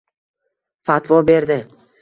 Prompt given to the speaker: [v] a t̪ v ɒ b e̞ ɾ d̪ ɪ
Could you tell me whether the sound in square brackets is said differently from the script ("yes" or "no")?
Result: yes